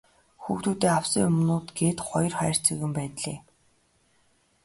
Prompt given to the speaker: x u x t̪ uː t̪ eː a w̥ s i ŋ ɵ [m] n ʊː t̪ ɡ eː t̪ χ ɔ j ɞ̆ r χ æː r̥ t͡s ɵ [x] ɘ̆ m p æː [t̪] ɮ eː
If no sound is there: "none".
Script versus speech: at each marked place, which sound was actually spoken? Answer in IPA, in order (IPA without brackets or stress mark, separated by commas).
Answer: m, ɣ, t̪